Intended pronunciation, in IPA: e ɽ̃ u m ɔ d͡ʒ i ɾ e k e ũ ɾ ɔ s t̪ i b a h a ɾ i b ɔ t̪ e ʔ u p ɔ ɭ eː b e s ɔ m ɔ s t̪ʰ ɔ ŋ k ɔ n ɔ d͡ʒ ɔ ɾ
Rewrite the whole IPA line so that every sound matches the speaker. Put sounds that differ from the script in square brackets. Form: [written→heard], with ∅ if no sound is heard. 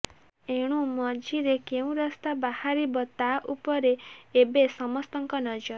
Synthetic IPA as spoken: e ɽ̃ u m ɔ d͡ʒ i ɾ e k e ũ ɾ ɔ s t̪ [i→a] b a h a ɾ i b ɔ t̪ [e→a] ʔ u p ɔ [ɭ→ɾ] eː b e s ɔ m ɔ s [t̪ʰ→t̪] ɔ ŋ k ɔ n ɔ d͡ʒ ɔ ɾ